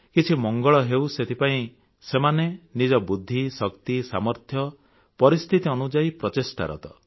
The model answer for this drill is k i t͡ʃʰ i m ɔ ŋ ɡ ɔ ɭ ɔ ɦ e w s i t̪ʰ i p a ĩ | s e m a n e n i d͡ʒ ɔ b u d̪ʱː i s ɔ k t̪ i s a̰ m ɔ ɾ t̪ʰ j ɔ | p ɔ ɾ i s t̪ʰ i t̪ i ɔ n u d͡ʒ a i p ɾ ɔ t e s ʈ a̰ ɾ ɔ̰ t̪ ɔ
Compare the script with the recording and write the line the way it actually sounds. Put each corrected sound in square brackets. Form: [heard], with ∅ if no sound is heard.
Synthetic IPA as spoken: k i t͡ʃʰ i m ɔ ŋ ɡ ɔ ɭ ɔ ɦ e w s [e] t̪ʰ i p a ĩ | s e m a n e n i d͡ʒ ɔ b u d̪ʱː i s ɔ k t̪ i s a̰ m ɔ ɾ t̪ʰ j ɔ | p ɔ ɾ i s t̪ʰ i t̪ i ɔ n u d͡ʒ a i p ɾ ɔ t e s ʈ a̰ ɾ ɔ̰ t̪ ɔ